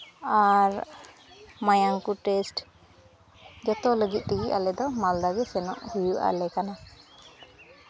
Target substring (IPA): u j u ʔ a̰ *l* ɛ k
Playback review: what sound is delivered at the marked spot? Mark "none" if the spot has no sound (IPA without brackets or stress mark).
l